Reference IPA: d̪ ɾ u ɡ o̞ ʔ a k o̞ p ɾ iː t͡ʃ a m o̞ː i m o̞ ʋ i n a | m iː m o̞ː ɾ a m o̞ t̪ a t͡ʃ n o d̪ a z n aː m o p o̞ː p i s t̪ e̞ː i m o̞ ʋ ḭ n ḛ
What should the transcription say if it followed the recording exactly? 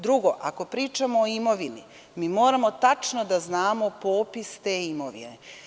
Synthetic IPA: d̪ ɾ u ɡ o̞ ʔ a k o̞ p ɾ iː t͡ʃ a m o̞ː i m o̞ ʋ i n i | m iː m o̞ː ɾ a m o̞ t̪ a t͡ʃ n o d̪ a z n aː m o p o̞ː p i s t̪ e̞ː i m o̞ ʋ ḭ n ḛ